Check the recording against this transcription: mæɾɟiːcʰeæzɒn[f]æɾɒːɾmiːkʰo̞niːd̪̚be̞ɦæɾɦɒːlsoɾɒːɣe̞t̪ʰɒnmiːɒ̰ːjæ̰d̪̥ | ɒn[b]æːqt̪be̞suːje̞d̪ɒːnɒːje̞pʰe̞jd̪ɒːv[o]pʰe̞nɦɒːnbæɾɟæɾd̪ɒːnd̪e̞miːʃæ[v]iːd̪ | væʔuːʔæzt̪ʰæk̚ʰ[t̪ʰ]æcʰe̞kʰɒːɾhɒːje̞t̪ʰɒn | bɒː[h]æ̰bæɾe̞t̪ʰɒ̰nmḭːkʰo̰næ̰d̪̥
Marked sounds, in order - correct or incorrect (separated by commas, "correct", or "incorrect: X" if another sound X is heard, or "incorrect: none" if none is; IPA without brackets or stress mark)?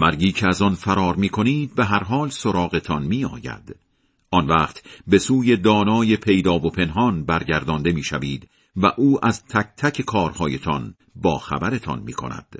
correct, incorrect: v, correct, correct, correct, incorrect: x